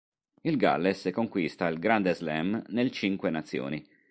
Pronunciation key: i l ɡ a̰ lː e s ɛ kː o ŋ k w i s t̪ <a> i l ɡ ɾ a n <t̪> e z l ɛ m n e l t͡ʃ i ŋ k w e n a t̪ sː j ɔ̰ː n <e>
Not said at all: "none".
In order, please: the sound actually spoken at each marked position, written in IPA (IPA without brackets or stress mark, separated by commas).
a, d̪, i